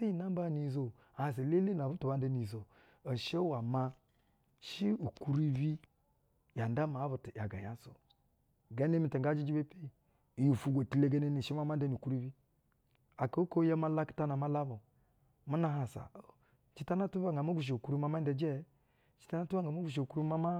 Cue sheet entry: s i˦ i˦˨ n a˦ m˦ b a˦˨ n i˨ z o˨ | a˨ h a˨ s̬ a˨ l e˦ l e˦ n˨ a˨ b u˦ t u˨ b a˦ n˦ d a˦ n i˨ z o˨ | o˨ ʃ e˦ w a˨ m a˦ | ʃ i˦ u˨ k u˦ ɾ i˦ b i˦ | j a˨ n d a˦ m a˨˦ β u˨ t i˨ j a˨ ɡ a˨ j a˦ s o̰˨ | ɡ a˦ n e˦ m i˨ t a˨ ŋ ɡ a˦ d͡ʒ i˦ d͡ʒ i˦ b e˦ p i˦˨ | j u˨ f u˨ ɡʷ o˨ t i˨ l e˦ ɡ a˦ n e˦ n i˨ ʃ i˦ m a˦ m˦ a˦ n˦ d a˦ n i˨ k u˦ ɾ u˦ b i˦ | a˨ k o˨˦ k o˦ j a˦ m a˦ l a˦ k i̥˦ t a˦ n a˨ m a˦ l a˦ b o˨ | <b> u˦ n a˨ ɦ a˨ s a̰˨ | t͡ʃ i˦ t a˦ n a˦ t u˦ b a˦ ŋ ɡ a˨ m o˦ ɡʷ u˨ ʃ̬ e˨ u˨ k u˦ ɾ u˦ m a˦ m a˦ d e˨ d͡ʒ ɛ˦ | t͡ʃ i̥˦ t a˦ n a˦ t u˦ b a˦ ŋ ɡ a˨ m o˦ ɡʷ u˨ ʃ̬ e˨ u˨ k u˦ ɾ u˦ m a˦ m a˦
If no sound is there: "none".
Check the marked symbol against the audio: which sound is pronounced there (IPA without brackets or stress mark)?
m